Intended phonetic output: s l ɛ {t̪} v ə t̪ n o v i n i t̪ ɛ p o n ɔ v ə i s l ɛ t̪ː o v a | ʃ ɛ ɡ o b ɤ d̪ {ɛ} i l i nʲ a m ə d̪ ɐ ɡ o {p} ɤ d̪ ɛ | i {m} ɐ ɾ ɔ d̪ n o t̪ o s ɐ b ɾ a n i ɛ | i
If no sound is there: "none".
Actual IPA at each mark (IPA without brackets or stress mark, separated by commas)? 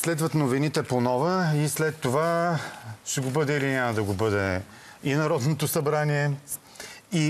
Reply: d̪, ɛ, b, n